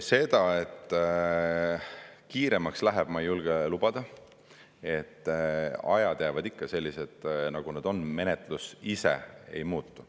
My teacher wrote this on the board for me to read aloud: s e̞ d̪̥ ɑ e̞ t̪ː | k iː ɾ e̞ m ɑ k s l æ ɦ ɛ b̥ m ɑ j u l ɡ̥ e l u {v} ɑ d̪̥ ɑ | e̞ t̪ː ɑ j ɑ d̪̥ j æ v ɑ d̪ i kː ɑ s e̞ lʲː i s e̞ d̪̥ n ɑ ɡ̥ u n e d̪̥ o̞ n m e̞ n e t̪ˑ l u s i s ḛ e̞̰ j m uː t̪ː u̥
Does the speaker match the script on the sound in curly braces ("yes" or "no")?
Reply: no